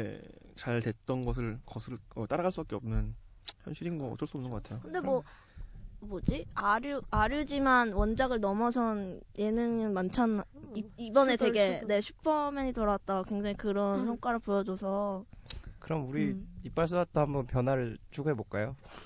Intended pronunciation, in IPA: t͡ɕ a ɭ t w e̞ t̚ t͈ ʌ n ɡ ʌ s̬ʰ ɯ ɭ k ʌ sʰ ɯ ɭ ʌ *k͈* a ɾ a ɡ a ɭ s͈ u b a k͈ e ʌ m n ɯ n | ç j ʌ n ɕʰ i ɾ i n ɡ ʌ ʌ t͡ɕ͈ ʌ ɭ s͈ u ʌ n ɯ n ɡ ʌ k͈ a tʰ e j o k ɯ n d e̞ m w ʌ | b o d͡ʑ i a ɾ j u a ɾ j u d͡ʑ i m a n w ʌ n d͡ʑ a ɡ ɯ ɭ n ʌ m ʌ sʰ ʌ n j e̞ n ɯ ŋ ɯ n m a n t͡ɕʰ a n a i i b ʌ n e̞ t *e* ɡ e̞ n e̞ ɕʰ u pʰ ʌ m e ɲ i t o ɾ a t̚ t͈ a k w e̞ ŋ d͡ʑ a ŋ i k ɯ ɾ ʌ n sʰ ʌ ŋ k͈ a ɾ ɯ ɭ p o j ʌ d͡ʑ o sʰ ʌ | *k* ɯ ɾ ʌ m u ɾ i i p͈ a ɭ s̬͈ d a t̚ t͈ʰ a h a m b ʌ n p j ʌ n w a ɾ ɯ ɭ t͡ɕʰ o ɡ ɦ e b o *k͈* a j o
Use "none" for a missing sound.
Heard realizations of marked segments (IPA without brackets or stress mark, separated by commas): t͈, e, k, k͈